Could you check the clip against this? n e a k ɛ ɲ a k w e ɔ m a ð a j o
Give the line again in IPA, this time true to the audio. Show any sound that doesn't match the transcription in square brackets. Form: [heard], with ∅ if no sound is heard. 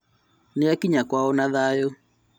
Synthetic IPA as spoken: n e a k [i] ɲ a k w [a] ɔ [n] a ð a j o